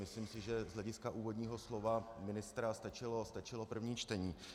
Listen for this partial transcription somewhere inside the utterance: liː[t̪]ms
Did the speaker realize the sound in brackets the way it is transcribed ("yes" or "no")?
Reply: no